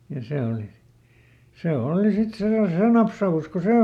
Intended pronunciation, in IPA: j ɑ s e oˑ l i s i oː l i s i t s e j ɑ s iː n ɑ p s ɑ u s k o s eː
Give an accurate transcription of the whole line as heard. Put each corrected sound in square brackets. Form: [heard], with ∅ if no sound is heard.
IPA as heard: j ɑ s e oˑ l i s [e] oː l i s i t s e j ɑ s [eː] n ɑ p s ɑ u s k o s eː

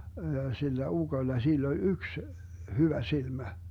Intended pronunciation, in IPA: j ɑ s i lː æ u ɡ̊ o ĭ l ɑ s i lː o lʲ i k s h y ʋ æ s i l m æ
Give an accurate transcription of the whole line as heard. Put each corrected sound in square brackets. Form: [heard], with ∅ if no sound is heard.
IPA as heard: j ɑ s i lː æ u ɡ̊ o ĭ [lː] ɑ s i lː o lʲ [y] k s h y ʋ æ s i l m æ

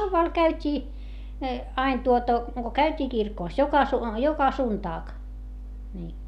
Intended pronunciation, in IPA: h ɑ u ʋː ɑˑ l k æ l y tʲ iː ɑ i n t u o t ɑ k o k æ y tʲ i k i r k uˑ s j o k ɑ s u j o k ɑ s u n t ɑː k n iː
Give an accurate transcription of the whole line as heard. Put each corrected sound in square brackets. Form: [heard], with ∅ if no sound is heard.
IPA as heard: h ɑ u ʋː ɑˑ l k æ [∅] y tʲ iː ɑ i n t u o t ɑ k o k æ y tʲ [iː] k i r k [oˑ] s j o k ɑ s u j o k ɑ s u n t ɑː k n iː

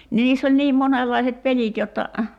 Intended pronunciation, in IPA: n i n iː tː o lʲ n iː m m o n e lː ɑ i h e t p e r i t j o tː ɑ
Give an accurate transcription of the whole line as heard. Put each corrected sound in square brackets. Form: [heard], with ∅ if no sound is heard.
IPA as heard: n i n iː [sː] o lʲ n iː m m o n e lː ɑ i [s] e t p e [l] i t j o tː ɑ

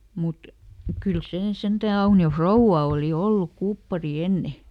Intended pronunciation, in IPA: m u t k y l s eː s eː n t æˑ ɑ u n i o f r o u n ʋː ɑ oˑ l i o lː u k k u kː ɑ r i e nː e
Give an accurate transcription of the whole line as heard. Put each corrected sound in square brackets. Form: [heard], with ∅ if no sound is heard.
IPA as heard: m u t k y l s eː s [e] n t æˑ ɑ u n i o f r o u [∅] ʋː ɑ oˑ l i o lː u k k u [pː] ɑ r i e nː e

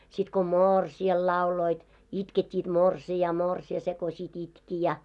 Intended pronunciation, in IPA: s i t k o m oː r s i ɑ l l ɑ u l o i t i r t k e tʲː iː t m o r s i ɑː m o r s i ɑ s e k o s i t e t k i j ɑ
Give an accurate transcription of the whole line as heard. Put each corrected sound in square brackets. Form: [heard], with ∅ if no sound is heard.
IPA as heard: s i t k o m oː r s i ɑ l l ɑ u l o i t i [∅] t k e tʲː iː t m o r s i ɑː m o r s i ɑ s e k o s i t [i] t k i j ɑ

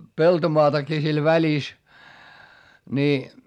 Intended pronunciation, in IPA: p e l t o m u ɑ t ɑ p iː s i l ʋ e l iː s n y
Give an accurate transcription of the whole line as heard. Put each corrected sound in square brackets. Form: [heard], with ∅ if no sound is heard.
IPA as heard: p e l t o m [o] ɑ t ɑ [k] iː s i l ʋ [æ] l [i] s n [i]

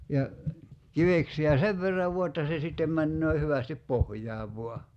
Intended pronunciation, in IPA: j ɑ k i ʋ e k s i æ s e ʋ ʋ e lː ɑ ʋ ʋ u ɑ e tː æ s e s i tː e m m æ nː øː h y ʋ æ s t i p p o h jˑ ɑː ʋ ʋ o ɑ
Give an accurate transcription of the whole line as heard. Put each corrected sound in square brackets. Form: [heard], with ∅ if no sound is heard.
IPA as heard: j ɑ k i ʋ e k s i æ s e ʋ ʋ e [rː] ɑ ʋ ʋ u ɑ e tː æ s e s i tː e m m æ nː øː h y ʋ æ s t i p p o h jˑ ɑː ʋ ʋ o ɑ

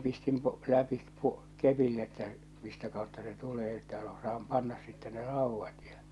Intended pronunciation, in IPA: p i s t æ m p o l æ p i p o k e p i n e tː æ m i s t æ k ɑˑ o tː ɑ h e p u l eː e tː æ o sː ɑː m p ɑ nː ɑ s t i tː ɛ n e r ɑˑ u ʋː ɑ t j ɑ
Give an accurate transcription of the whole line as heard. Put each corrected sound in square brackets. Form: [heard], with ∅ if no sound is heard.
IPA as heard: p i s t [i] m p o l æ p i p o k e p i n e tː æ m i s t æ k ɑˑ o tː ɑ [s] e [t] u l eː e tː æ o [s] ɑː m p ɑ nː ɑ s [s] i tː ɛ n e r ɑˑ u ʋː ɑ t j ɑ

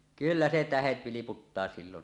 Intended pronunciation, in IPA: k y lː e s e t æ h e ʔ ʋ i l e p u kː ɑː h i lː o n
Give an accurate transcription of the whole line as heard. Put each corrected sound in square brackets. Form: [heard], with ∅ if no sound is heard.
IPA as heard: k y lː [æ] s e t æ h e [t] ʋ i l [i] p u [tː] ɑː [s] i lː o n

